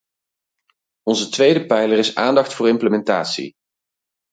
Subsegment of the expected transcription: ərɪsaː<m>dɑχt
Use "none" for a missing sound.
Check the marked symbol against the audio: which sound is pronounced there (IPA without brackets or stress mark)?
n